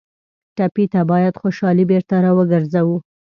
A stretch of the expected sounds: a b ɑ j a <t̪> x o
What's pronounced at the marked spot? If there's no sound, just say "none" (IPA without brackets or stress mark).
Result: d̪